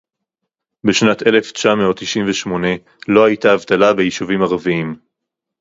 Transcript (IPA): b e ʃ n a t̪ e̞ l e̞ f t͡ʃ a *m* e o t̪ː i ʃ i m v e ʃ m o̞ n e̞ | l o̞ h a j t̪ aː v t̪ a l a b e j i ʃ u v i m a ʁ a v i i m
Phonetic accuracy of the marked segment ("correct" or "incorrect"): correct